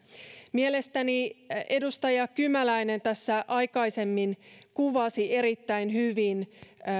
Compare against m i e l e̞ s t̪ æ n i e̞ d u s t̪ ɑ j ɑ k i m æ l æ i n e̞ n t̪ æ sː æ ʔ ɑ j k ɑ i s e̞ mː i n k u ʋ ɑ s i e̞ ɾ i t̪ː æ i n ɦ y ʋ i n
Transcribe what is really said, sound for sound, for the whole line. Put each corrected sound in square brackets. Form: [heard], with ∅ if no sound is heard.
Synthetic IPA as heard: m i e l e̞ s t̪ æ n i e̞ d u s t̪ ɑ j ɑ k [y] m æ l æ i n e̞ n t̪ æ sː æ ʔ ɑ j k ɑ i s e̞ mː i n k u ʋ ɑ s i e̞ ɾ i t̪ː æ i n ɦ y ʋ i n